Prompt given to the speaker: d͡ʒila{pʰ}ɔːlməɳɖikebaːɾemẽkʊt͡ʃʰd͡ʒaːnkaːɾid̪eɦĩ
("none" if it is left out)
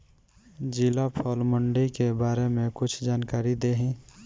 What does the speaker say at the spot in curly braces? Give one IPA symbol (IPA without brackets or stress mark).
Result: pʰ